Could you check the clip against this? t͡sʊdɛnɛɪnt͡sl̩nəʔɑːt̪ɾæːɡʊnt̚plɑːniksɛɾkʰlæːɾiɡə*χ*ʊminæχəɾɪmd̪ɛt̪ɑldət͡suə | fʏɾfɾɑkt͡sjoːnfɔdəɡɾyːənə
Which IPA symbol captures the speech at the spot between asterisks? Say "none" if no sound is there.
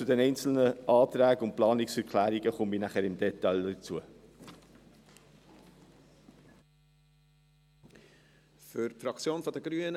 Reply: χ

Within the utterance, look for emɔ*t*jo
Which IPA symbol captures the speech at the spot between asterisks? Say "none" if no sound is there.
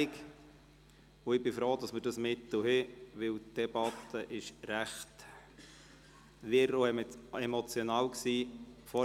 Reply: t͡s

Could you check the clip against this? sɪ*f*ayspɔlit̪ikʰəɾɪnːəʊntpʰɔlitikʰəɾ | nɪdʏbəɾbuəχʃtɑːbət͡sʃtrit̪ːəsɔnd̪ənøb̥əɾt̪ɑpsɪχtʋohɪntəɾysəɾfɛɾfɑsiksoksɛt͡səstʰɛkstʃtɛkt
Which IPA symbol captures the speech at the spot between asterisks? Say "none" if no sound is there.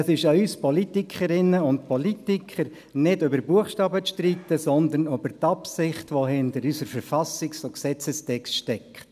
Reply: ʃ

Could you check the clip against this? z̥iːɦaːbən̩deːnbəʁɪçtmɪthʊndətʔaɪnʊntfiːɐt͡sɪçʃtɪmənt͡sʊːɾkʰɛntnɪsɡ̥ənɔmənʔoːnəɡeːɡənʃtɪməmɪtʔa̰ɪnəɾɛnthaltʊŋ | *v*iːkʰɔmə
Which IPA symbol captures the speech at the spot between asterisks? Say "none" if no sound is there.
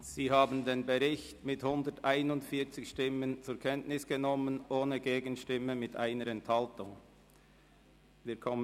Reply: v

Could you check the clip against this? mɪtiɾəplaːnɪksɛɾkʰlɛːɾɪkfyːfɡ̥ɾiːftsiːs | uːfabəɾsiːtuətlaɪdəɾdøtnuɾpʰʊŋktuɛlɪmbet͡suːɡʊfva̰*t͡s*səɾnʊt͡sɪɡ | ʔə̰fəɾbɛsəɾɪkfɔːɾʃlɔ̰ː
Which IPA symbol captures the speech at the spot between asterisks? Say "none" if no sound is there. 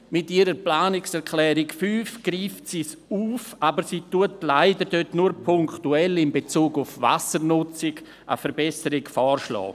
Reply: none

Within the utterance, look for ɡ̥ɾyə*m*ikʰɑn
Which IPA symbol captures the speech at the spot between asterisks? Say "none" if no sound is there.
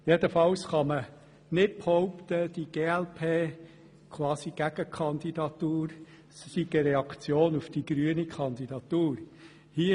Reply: n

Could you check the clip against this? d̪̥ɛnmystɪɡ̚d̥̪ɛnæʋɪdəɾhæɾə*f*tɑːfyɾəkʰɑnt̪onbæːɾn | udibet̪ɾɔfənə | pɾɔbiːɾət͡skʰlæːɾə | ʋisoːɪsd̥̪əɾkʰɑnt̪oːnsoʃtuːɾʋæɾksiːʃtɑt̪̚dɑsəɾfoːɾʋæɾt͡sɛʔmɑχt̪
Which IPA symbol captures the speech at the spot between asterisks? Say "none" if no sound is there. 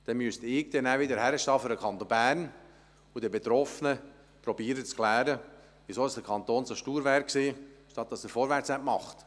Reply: ʃ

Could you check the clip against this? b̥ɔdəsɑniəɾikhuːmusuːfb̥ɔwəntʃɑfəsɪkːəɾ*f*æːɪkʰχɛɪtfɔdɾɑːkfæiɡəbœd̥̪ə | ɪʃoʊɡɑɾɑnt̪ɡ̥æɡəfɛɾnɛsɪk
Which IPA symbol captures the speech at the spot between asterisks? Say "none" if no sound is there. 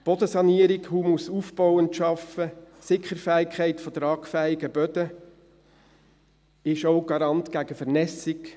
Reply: f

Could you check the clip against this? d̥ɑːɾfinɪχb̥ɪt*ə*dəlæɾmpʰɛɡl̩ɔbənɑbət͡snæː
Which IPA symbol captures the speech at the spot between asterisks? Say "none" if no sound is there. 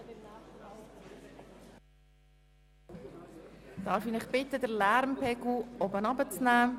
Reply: ə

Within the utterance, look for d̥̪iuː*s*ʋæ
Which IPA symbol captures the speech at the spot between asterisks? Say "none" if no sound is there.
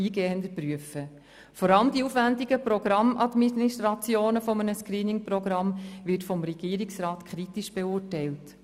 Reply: f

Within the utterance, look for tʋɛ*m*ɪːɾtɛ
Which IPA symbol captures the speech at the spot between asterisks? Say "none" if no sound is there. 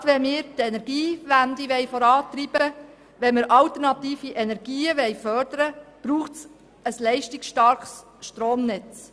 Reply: m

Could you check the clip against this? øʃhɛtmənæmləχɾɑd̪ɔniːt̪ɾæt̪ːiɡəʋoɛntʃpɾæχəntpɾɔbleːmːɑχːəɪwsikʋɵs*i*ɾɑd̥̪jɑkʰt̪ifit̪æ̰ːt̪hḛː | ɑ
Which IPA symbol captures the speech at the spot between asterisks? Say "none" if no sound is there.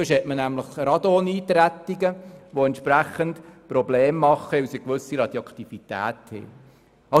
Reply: i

